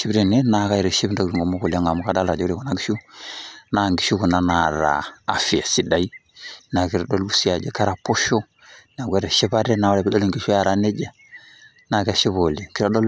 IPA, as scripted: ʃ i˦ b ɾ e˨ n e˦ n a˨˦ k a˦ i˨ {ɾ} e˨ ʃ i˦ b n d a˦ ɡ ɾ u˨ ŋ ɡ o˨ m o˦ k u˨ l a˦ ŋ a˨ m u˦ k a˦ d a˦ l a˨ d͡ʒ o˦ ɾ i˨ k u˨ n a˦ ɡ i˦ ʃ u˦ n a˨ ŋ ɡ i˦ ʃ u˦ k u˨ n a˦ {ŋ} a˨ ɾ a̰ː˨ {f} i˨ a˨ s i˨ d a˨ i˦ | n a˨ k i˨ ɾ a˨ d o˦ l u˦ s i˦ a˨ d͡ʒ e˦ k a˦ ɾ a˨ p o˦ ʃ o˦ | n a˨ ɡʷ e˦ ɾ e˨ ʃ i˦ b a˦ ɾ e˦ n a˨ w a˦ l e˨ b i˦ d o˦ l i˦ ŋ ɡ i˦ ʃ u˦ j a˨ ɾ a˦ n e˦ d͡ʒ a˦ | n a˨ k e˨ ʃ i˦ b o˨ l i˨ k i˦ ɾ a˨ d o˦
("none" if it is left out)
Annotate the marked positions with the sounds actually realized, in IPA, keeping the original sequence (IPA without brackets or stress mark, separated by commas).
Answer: ɾ, n, f